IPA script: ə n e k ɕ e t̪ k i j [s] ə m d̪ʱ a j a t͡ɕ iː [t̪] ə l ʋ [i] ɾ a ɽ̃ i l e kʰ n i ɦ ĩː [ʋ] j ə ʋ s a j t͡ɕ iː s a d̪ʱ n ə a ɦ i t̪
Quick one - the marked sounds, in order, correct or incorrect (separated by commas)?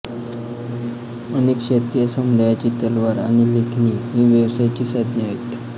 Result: correct, correct, incorrect, correct